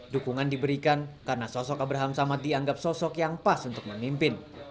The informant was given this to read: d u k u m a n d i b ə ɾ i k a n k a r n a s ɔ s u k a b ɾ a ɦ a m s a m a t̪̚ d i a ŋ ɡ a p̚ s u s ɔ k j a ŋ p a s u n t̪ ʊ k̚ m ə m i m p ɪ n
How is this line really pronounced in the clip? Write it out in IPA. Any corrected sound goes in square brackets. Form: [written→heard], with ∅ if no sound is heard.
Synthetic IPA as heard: d u k u [m→ŋ] a n d i b ə ɾ i k a n k a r n a s ɔ s [u→ɔ] k a b ɾ a ɦ a m s a m a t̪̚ d i a ŋ ɡ a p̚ s [u→ɔ] s ɔ k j a ŋ p a s u n t̪ ʊ k̚ m ə m i m p ɪ n